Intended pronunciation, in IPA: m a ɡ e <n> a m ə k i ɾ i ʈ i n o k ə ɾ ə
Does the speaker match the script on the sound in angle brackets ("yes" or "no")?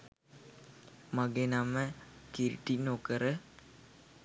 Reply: yes